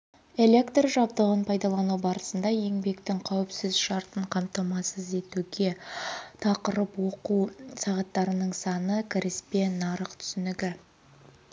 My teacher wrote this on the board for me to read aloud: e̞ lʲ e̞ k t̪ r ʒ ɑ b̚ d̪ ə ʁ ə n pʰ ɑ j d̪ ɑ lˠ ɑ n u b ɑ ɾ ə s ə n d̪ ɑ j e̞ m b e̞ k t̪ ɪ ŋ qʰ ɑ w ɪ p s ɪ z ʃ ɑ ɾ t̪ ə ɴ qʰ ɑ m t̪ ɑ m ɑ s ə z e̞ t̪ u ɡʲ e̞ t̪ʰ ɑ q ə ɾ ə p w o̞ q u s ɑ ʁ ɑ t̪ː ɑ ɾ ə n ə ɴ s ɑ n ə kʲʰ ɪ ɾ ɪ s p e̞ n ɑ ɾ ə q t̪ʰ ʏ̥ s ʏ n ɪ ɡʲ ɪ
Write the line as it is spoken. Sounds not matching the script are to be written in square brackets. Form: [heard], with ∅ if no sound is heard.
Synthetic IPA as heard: e̞ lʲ e̞ k t̪ r ʒ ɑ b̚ d̪ ə ʁ ə n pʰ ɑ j d̪ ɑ lˠ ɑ n u b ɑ ɾ ə s ə n d̪ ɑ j e̞ [ŋ] b e̞ k t̪ ɪ ŋ qʰ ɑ w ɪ p s ɪ z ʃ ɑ ɾ t̪ ə ɴ qʰ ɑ m t̪ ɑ m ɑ s ə z e̞ t̪ u ɡʲ e̞ t̪ʰ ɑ q ə ɾ ə p w o̞ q u s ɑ ʁ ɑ t̪ː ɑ ɾ ə n ə ɴ s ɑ n ə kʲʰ ɪ ɾ ɪ s p e̞ n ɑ ɾ ə q t̪ʰ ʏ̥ s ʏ n ɪ ɡʲ ɪ